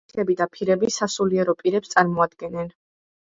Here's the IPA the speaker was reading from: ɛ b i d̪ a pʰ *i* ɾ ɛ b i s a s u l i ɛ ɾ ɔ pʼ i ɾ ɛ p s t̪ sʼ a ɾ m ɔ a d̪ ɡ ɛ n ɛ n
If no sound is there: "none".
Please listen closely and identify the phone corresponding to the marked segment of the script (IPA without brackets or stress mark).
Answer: i